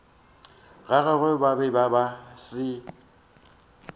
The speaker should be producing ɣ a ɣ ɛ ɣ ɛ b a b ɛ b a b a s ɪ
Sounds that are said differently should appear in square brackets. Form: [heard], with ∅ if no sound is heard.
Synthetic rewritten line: ɣ a ɣ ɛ ɣ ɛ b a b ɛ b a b a s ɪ